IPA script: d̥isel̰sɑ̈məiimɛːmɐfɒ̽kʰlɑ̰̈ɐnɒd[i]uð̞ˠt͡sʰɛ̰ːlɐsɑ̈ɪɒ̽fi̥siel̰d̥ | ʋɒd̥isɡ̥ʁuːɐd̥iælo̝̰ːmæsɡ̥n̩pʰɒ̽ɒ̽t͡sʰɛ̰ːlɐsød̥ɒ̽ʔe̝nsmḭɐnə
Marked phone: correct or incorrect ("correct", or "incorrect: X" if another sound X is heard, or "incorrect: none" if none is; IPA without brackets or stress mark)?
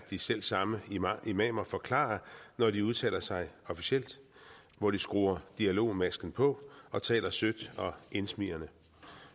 correct